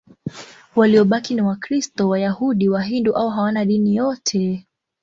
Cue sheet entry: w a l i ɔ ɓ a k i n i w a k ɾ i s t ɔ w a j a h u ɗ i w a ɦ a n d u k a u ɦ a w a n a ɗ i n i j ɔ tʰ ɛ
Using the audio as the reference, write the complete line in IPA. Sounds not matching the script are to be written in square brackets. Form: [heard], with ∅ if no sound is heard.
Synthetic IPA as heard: w a l i ɔ ɓ a k i n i w a k ɾ i s t ɔ w a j a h u ɗ i w a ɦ [i] n d u [ʔ] a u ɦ a w a n a ɗ i n i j ɔ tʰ ɛ